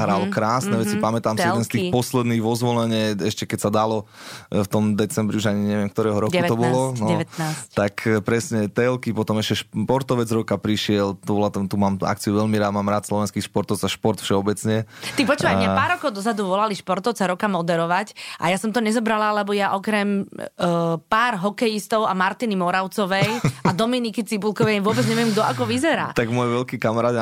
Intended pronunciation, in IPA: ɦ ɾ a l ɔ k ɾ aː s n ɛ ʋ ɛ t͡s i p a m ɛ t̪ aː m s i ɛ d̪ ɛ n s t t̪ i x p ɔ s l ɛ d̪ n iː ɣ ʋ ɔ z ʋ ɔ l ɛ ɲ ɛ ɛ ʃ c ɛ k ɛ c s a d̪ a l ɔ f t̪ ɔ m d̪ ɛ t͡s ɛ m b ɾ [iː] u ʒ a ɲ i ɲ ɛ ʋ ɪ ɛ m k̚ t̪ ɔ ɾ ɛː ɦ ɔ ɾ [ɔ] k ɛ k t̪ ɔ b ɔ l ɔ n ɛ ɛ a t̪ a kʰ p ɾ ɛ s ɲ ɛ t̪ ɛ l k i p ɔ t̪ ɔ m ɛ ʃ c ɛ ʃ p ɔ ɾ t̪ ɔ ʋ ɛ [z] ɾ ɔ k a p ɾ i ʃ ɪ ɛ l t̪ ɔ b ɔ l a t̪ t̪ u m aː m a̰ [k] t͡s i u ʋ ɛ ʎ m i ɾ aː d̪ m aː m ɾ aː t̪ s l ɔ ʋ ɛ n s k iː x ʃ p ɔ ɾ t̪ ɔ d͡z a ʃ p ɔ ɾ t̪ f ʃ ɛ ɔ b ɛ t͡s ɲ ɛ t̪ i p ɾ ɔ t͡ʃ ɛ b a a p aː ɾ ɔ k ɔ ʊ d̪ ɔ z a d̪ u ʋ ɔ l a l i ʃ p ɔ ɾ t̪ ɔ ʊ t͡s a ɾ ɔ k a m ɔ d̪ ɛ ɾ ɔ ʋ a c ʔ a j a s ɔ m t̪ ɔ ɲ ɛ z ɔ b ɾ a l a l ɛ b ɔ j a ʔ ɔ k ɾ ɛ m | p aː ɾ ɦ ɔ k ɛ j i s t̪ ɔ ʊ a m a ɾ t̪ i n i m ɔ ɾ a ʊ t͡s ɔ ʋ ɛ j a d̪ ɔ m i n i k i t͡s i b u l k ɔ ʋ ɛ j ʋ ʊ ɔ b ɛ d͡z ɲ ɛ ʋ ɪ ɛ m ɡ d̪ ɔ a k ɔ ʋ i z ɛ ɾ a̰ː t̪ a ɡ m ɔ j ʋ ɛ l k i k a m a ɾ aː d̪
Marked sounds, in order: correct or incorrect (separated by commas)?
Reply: incorrect, correct, incorrect, correct